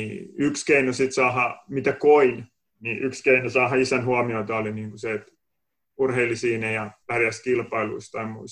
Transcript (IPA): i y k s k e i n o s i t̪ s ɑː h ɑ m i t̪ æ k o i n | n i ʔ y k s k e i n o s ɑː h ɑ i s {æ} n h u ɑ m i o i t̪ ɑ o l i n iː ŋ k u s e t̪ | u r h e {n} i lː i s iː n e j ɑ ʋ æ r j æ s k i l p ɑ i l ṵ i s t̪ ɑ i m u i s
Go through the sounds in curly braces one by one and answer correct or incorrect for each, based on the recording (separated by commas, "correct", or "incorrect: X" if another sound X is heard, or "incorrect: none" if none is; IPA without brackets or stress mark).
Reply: correct, incorrect: none